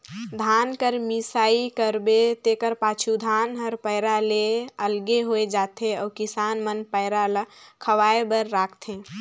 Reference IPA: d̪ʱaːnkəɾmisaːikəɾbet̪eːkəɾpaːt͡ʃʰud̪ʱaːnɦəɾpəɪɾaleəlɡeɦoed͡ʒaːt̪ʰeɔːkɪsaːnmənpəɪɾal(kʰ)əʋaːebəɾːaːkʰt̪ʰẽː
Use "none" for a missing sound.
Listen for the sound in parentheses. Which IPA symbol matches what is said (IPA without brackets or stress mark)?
kʰ